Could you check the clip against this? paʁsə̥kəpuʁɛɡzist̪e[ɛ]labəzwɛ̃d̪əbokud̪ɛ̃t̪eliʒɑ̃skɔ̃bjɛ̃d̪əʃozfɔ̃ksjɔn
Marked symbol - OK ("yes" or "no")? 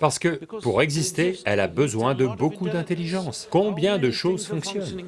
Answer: yes